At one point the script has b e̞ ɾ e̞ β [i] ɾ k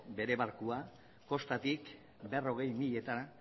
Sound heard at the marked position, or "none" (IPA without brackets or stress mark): a